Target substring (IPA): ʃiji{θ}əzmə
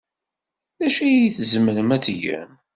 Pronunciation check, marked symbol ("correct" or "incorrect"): correct